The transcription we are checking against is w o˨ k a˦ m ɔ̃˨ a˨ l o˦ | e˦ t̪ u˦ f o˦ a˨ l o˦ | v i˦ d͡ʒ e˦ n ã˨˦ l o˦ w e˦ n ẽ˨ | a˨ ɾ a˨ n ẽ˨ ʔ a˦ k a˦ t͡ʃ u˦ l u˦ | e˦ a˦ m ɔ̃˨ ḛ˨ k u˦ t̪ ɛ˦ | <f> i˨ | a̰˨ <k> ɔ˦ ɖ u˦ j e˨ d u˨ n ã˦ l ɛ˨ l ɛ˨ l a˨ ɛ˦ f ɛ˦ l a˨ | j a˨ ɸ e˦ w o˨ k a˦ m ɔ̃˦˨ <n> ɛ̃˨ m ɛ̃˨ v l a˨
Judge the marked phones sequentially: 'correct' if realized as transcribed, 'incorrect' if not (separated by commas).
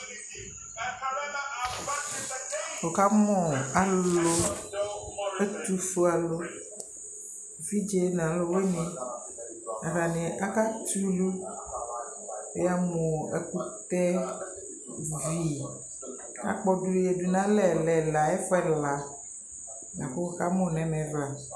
incorrect, incorrect, correct